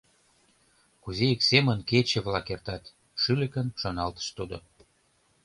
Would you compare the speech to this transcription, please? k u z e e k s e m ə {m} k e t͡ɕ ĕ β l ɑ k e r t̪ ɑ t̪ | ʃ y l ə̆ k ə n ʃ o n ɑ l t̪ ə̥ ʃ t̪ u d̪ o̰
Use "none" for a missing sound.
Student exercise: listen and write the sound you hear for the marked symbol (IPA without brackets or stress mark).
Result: n